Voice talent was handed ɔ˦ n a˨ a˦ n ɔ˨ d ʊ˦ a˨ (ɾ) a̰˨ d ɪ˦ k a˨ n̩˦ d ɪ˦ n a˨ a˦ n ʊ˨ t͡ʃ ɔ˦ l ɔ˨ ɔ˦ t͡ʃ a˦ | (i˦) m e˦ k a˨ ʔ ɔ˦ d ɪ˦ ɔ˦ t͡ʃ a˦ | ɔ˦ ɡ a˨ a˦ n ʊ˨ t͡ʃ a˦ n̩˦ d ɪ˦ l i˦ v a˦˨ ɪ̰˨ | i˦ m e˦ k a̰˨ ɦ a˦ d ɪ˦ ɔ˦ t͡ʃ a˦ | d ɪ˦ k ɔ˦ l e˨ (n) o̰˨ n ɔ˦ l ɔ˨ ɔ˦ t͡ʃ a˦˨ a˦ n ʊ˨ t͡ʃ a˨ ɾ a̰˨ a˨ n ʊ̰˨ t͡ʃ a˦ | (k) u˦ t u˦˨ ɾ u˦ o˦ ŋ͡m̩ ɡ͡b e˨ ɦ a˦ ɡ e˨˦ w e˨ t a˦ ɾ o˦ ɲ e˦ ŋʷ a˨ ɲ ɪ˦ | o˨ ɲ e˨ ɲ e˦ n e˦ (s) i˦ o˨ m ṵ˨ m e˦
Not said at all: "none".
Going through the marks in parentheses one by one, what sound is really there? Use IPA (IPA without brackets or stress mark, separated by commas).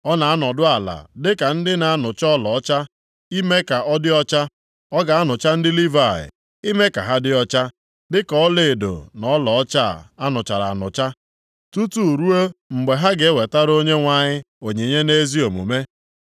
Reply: l, i˦, d, t, z